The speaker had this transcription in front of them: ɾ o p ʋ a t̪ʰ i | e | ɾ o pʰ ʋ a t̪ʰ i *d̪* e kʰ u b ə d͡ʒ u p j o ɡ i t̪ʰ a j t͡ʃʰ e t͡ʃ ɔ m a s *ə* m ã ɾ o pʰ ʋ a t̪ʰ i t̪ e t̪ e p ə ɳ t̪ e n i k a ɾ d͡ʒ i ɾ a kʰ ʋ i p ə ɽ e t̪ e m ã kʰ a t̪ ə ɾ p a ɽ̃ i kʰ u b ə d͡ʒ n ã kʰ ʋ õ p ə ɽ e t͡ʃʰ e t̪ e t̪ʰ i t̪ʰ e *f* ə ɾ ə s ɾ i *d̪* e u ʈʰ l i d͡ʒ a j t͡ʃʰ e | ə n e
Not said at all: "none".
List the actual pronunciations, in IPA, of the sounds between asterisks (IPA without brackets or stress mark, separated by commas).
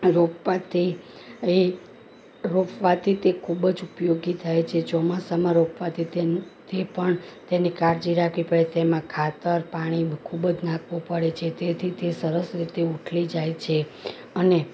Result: t̪, a, s, t̪